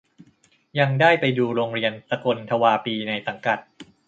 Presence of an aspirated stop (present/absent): present